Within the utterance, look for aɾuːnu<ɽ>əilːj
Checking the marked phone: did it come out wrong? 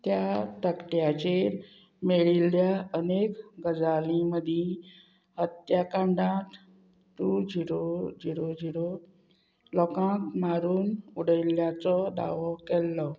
no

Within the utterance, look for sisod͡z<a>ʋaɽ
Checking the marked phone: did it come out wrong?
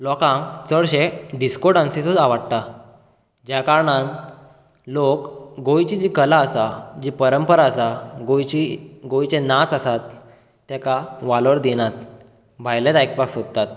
no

